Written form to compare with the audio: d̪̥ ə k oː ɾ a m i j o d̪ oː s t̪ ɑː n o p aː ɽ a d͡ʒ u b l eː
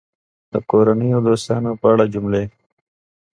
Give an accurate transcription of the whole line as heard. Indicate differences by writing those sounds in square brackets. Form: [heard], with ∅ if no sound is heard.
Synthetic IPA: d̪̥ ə k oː ɾ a [n] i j o d̪ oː s t̪ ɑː n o p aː ɽ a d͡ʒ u [m] l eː